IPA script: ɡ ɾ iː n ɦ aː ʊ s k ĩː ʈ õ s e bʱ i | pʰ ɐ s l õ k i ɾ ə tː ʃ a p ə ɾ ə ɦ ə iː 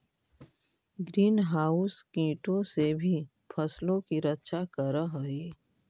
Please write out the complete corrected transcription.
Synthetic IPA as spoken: ɡ ɾ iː n ɦ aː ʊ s k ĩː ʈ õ s e bʱ i | pʰ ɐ s l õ k i ɾ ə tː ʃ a k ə ɾ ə ɦ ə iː